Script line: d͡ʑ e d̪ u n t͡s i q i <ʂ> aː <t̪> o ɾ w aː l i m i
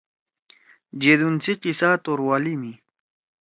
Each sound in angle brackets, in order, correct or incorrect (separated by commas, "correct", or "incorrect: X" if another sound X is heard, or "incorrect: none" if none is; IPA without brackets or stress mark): incorrect: s, correct